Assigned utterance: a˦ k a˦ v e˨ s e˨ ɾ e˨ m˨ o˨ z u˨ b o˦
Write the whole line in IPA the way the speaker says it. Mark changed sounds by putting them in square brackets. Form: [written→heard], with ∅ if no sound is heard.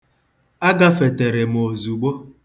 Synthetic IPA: a˦ [k→ɡ] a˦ [v→f] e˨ [s→t] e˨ ɾ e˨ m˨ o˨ z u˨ [b→ɡ͡b] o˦